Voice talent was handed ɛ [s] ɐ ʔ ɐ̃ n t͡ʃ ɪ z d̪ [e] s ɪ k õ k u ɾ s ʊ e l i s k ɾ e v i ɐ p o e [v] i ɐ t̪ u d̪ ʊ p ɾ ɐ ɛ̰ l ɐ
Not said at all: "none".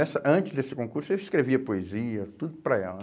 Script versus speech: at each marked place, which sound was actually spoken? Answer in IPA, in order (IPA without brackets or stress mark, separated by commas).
s, e, z